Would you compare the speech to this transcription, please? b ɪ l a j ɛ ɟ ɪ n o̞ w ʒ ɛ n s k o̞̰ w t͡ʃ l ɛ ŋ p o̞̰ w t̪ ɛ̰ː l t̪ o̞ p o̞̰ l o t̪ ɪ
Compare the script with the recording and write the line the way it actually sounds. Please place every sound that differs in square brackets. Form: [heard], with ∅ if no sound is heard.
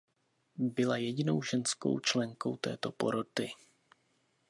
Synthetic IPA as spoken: b ɪ l a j ɛ ɟ ɪ n o̞ w ʒ ɛ n s k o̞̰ w t͡ʃ l ɛ ŋ [k] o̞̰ w t̪ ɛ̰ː [∅] t̪ o̞ p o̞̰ [ɾ] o t̪ ɪ